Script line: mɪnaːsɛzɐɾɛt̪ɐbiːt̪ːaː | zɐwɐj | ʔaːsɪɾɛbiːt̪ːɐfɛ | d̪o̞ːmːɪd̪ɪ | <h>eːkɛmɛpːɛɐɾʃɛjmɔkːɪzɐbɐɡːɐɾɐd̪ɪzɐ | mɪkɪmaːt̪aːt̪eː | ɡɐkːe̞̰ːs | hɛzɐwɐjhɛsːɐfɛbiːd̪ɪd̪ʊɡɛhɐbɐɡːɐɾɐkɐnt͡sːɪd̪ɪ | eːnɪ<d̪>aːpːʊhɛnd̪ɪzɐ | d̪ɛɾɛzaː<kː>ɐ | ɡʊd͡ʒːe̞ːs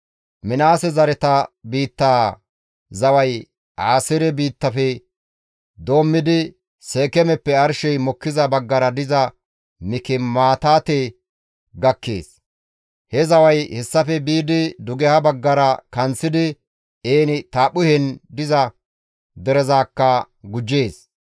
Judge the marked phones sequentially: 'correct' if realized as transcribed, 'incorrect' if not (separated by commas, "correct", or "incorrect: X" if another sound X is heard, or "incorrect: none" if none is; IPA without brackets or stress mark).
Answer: incorrect: s, incorrect: t̪, correct